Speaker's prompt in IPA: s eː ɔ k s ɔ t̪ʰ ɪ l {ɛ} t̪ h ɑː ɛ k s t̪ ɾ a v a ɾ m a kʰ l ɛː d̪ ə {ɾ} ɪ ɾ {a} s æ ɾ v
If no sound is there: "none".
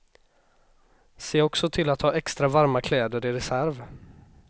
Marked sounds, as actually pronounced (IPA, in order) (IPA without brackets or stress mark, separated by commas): a, ɾ, ɛ